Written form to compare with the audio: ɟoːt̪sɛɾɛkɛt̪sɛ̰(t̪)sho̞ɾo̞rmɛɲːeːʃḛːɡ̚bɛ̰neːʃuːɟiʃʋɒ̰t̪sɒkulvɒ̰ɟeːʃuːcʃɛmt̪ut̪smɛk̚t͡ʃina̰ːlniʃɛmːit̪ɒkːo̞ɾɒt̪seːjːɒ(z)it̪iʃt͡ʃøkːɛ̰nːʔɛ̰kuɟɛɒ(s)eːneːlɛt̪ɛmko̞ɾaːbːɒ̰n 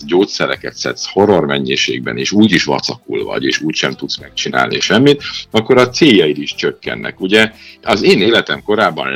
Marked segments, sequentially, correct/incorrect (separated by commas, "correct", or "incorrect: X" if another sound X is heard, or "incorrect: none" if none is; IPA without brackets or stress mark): correct, incorrect: none, incorrect: z